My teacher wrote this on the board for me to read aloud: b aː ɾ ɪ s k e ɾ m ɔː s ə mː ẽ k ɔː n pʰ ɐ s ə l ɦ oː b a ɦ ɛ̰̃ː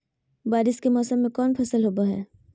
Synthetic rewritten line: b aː ɾ ɪ s k e m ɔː s ə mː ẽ k ɔː n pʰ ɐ s ə l ɦ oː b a ɦ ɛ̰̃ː